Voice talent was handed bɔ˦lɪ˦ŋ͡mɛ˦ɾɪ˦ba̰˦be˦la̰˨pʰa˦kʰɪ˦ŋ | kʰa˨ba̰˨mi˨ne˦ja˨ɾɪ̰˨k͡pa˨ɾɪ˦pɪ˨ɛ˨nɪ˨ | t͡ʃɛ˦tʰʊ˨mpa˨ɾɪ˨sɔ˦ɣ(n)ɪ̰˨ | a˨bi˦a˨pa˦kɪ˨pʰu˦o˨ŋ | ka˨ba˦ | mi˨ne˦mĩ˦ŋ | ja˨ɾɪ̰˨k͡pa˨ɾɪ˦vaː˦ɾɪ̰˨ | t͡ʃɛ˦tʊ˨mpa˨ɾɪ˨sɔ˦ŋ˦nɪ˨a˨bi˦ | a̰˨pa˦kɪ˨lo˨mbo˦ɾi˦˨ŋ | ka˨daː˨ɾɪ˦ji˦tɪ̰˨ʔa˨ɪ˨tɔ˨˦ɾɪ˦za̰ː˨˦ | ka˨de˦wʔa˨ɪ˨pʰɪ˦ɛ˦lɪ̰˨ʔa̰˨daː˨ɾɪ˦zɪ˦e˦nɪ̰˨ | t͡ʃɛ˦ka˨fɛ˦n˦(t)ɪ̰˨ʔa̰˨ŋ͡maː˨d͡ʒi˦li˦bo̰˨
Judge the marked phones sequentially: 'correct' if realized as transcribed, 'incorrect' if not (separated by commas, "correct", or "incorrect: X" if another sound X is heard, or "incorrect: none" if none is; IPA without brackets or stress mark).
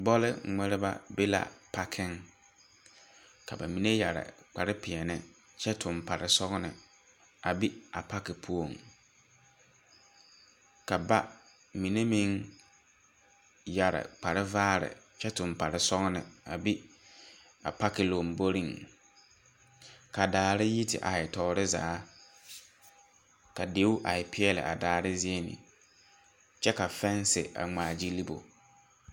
correct, incorrect: s